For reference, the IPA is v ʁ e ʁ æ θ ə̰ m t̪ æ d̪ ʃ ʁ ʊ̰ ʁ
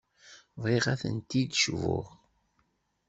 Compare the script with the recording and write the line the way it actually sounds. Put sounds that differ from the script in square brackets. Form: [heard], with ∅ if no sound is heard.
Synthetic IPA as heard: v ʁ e ʁ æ θ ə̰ [n] t̪ [i] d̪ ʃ [v] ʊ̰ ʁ